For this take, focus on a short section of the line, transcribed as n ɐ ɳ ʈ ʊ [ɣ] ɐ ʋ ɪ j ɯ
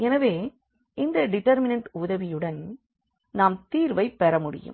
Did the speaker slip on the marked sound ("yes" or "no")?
yes